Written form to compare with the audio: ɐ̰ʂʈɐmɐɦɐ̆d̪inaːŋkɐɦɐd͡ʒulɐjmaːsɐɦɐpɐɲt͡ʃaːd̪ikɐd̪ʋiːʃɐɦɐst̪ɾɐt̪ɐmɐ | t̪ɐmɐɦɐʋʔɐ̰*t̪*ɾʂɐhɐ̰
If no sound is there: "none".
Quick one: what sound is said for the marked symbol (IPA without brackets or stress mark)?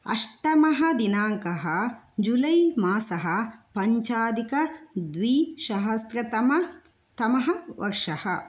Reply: none